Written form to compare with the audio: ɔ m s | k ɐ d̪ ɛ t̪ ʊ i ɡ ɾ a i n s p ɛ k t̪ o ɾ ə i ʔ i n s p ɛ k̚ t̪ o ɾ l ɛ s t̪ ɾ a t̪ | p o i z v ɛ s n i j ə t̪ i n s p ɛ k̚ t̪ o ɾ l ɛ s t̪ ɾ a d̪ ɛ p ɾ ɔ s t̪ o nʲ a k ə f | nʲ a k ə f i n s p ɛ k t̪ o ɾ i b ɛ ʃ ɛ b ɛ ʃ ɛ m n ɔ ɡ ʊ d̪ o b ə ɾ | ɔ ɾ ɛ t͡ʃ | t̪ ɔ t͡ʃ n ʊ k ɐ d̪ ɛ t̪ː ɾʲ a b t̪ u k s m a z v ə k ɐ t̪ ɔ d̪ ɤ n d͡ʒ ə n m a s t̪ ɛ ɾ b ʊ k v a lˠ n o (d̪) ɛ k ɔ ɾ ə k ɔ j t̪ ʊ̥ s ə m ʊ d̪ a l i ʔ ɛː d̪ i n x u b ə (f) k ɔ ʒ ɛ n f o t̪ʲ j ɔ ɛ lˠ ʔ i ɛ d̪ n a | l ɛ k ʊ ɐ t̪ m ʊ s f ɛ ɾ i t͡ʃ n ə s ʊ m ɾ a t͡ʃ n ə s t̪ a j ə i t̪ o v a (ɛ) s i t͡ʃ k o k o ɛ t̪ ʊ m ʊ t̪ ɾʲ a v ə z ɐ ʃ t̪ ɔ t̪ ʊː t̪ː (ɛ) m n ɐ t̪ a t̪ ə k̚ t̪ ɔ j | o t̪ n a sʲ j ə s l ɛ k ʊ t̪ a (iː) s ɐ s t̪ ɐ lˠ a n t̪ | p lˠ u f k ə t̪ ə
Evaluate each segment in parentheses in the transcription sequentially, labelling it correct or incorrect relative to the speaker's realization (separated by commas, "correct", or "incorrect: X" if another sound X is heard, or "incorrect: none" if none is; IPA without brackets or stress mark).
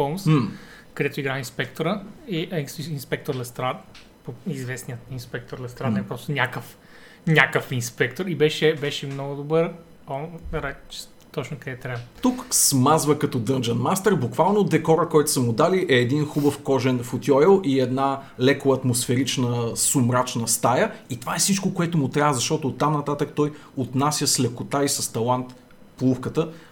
correct, correct, correct, incorrect: a, incorrect: i